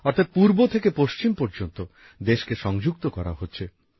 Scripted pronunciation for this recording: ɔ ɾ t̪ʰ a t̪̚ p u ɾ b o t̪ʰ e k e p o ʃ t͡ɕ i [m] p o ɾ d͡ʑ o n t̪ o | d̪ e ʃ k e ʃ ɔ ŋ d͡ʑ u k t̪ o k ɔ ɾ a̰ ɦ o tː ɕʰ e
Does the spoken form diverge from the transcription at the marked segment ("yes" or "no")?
no